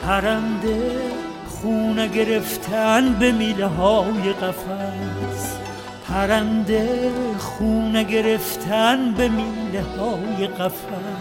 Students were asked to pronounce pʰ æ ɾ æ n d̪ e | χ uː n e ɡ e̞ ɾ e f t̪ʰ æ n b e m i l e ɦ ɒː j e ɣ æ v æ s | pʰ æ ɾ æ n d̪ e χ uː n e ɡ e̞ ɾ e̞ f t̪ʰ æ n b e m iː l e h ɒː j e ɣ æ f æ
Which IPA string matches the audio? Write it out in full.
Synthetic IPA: pʰ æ ɾ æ n d̪ e | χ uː n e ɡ e̞ ɾ e f t̪ʰ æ n b e m i l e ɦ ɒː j e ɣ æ f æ s | pʰ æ ɾ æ n d̪ e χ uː n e ɡ e̞ ɾ e̞ f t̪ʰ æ n b e m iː l e h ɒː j e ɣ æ f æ